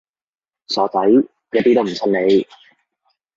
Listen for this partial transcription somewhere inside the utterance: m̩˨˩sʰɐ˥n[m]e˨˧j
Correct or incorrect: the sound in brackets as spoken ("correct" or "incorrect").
incorrect